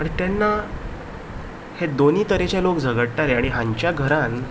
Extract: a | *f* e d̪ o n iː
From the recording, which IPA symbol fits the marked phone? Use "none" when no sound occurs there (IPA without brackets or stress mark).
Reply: h